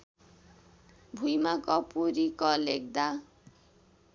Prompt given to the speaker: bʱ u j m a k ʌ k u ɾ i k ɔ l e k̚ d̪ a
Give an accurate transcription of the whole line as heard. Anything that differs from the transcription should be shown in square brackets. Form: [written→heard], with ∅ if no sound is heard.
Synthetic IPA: bʱ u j m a k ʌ [k→p] u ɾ i k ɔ l e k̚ d̪ a